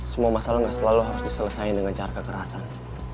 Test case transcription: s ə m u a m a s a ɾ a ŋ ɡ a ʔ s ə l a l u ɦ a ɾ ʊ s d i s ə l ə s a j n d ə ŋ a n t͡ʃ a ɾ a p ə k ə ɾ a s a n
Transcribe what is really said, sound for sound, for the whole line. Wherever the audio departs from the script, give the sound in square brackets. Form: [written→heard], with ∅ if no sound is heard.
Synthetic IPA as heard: s ə m u a m a s a [ɾ→l] a ŋ ɡ a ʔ s ə l a l u ɦ a ɾ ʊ s d i s ə l ə s a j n d ə ŋ a n t͡ʃ a ɾ a [p→k] ə k ə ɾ a s a n